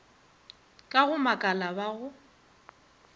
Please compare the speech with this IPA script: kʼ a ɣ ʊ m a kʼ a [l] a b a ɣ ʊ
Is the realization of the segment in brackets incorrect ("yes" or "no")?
no